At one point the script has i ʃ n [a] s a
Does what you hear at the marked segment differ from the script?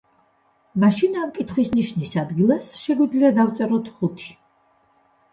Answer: yes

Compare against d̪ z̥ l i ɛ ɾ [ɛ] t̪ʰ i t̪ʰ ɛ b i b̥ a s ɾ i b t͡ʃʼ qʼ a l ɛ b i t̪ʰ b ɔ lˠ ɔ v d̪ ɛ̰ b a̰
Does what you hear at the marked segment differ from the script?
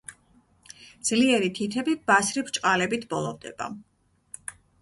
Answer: yes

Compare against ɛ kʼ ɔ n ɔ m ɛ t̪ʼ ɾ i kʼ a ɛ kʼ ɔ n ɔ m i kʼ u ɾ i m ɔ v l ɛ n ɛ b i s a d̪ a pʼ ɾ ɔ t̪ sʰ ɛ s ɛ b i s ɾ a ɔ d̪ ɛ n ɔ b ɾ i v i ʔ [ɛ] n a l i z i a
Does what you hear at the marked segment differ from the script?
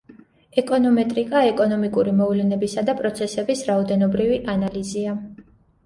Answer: yes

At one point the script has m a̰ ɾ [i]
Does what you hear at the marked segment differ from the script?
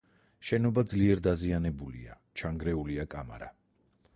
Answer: yes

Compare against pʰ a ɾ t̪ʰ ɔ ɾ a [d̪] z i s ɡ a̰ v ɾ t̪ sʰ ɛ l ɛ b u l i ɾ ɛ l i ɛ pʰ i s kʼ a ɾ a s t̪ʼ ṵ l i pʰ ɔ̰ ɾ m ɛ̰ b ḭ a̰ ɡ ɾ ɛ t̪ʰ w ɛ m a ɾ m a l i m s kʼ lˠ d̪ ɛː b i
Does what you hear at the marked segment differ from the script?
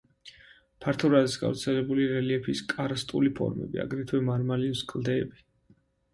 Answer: yes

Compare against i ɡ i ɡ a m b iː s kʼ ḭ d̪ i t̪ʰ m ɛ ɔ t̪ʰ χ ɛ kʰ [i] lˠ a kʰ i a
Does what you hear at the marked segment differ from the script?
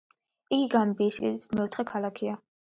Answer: yes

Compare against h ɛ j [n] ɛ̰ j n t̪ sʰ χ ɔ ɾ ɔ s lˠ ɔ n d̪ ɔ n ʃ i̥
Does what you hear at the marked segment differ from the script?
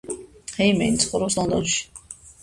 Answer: yes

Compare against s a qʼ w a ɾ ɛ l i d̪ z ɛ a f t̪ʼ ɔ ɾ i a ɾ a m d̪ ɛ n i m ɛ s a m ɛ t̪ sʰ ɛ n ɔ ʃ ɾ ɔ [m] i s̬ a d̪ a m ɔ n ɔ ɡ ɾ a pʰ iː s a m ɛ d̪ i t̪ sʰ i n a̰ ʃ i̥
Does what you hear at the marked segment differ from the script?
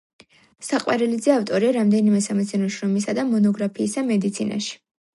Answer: no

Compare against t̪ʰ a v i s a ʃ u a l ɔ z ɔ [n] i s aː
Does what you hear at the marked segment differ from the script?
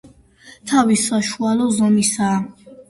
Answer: yes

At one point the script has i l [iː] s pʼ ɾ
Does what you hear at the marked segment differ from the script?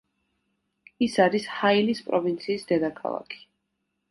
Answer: yes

